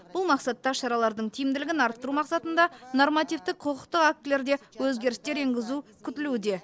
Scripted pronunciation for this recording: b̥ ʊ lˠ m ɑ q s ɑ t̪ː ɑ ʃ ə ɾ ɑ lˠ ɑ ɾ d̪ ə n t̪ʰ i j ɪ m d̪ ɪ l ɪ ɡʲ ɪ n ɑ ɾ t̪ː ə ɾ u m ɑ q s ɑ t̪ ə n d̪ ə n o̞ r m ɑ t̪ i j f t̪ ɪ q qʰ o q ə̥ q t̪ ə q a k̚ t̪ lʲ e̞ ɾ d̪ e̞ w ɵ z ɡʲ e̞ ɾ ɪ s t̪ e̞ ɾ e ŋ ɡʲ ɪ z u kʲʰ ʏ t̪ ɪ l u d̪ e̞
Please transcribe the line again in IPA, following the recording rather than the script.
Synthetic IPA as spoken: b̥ ʊ lˠ m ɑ q s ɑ t̪ː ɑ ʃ ɑ ɾ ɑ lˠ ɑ ɾ d̪ ə ɴ t̪ʰ i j ɪ m d̪ ɪ l ɪ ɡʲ ɪ n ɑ ɾ t̪ː ə ɾ u m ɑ q s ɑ t̪ ə n d̪ ɑ n o̞ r m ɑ t̪ i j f t̪ ɪ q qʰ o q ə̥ q t̪ ə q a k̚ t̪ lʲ e̞ ɾ d̪ e̞ w ɵ z ɡʲ e̞ ɾ ɪ s t̪ e̞ ɾ e ŋ ɡʲ ɪ z u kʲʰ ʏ t̪ ɪ l u d̪ e̞